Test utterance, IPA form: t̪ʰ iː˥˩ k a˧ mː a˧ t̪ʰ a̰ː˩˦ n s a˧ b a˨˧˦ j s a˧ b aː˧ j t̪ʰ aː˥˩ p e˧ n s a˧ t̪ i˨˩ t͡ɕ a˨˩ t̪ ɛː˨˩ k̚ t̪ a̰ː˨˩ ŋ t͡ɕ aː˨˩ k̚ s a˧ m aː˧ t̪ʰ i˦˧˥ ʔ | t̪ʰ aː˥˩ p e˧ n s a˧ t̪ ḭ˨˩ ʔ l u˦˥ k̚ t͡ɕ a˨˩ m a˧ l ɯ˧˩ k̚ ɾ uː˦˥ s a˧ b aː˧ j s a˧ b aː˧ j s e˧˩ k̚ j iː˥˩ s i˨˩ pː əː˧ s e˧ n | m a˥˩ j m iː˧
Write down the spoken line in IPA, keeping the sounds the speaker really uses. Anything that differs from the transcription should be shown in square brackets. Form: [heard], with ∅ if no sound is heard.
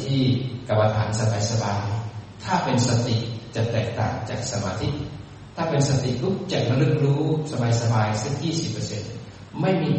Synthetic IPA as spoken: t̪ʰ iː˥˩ k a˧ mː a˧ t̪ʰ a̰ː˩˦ n s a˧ b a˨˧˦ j s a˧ b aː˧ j t̪ʰ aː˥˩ p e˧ n s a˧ t̪ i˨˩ t͡ɕ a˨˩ t̪ ɛː˨˩ k̚ t̪ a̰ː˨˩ ŋ t͡ɕ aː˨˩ k̚ s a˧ m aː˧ t̪ʰ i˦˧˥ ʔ | t̪ʰ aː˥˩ p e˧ n s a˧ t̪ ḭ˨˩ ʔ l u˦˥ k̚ t͡ɕ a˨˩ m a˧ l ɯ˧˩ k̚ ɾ uː˦˥ s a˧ b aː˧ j s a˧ b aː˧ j s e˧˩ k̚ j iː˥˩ s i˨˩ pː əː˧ s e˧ n | m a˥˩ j m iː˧